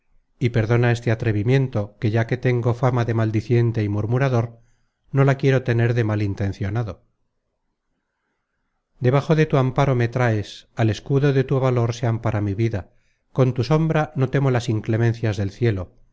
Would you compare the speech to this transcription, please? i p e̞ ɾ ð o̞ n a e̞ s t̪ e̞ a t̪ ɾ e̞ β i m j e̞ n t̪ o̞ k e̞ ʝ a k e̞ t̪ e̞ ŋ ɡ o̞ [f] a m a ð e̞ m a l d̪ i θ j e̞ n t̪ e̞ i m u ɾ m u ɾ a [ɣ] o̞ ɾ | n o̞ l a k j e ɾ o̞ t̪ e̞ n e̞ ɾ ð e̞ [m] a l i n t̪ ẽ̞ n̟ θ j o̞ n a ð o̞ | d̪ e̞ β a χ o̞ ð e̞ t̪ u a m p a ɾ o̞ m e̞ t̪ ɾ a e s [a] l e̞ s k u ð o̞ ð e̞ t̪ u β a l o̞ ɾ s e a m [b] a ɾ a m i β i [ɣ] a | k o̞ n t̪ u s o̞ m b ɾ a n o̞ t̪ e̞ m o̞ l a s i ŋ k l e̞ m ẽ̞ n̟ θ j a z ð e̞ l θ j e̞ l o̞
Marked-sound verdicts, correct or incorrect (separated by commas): correct, incorrect, correct, correct, incorrect, incorrect